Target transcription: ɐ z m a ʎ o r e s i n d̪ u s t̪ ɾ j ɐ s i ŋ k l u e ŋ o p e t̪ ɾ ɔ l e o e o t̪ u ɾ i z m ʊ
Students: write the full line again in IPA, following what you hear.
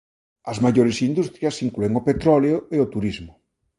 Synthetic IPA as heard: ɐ z m a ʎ o ɾ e s i n d̪ u s t̪ ɾ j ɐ s i ŋ k l u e ŋ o p e t̪ ɾ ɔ l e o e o t̪ u ɾ i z m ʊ

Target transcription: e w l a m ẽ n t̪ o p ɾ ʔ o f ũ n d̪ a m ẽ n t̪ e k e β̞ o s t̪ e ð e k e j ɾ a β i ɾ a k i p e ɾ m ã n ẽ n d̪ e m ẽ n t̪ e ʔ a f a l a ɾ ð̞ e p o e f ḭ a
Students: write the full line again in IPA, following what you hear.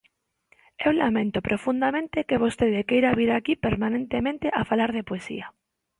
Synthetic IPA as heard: e w l a m ẽ n t̪ o p ɾ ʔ o f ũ n d̪ a m ẽ n t̪ e k e β̞ o s t̪ e ð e k e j ɾ a β i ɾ a k i p e ɾ m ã n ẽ n t̪ e m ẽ n t̪ e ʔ a f a l a ɾ ð̞ e p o e s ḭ a

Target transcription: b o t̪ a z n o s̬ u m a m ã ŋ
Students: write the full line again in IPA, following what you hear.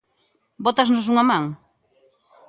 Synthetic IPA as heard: b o t̪ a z n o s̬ u ŋ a m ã ŋ

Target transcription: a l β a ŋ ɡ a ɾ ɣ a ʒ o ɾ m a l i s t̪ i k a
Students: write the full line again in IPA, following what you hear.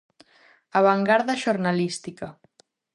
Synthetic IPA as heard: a β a ŋ ɡ a ɾ ð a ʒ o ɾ n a l i s t̪ i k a

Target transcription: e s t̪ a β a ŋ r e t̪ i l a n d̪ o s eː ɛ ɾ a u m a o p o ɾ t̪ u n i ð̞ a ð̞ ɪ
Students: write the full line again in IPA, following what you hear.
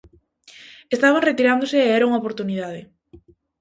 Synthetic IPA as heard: e s t̪ a β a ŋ r e t̪ i ɾ a n d̪ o s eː ɛ ɾ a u ŋ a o p o ɾ t̪ u n i ð̞ a ð̞ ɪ

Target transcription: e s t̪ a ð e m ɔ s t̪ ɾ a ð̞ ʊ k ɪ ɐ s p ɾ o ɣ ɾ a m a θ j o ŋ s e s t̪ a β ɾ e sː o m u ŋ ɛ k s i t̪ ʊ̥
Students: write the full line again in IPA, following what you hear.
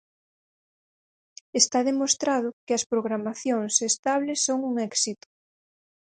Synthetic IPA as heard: e s t̪ a ð e m o s t̪ ɾ a ð̞ ʊ k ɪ ɐ s p ɾ o ɣ ɾ a m a θ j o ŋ s e s t̪ a β l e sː o ŋ u ŋ ɛ k s i t̪ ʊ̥

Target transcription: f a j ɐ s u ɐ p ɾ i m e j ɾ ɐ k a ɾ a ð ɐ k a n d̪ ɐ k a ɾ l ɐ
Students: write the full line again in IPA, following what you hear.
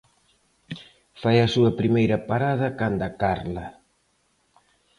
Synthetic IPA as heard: f a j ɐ s u ɐ p ɾ i m e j ɾ ɐ p a ɾ a ð ɐ k a n d̪ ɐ k a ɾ l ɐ

